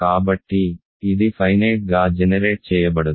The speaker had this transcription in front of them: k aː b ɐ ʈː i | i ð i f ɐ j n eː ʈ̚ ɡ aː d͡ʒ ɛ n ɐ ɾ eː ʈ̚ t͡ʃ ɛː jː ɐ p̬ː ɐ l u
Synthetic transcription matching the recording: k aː b ɐ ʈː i | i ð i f ɐ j n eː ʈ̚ ɡ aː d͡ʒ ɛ n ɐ ɾ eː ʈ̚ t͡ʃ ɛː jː ɐ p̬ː ɐ ɽ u